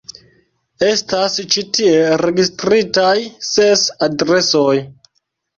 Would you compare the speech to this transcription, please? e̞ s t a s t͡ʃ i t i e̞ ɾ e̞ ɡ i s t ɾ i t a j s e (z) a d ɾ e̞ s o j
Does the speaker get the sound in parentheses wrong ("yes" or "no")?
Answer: yes